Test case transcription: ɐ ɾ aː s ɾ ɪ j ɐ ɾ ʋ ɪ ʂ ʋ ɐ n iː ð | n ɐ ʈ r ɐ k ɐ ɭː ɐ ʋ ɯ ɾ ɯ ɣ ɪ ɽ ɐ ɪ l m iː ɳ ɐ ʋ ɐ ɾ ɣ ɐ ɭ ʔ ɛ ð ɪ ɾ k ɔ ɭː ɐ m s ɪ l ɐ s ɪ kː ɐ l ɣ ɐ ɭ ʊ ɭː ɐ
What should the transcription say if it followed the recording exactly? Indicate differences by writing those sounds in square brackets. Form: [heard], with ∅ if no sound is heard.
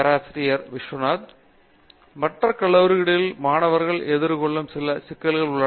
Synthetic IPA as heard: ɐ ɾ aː s ɾ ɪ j ɐ ɾ ʋ ɪ ʂ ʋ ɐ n [aː] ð | [m] ɐ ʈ r ɐ k ɐ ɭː ɐ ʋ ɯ ɾ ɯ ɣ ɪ ɽ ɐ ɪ l m [aː] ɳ ɐ ʋ ɐ ɾ ɣ ɐ ɭ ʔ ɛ ð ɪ ɾ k ɔ ɭː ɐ m s ɪ l ɐ s ɪ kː ɐ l ɣ ɐ ɭ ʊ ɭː ɐ